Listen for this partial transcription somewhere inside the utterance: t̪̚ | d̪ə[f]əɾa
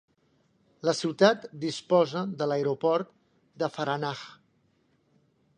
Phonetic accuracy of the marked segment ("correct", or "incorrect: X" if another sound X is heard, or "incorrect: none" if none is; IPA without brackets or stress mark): correct